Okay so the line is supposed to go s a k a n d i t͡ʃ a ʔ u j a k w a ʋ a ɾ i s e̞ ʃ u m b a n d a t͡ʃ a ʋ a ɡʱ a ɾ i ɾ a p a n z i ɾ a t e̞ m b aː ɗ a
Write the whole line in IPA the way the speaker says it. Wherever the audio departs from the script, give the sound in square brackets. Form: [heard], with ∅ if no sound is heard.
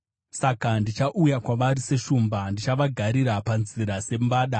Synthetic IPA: s a k a n d i t͡ʃ a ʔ u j a k w a ʋ a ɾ i s e̞ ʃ u m b a n d [i] t͡ʃ a ʋ a ɡʱ a ɾ i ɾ a p a n z i ɾ a [s] e̞ m b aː ɗ a